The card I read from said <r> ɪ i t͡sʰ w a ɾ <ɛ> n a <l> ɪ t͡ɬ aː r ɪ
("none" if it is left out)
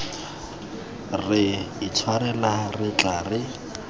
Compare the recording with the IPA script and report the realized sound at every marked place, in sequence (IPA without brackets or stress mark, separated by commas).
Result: r, ɛ, r